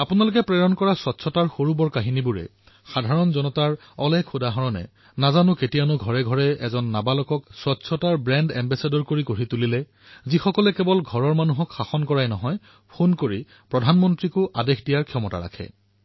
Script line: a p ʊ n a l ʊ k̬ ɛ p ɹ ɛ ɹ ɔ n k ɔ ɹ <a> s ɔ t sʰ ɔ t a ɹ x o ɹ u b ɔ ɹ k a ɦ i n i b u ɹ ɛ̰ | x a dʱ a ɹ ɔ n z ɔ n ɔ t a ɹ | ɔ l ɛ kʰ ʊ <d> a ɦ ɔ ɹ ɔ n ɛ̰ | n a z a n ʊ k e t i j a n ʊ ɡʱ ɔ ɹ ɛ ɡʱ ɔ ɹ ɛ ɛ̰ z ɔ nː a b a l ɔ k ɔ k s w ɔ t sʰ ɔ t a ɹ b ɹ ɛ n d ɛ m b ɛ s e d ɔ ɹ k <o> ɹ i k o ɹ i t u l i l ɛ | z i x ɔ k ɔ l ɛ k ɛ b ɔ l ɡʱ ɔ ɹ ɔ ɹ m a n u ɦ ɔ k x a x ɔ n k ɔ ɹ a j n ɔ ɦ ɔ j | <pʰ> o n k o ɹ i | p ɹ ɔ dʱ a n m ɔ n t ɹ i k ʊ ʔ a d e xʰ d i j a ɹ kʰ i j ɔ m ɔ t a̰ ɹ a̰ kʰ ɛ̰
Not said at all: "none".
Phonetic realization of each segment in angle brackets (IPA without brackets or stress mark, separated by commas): a, d, o, pʰ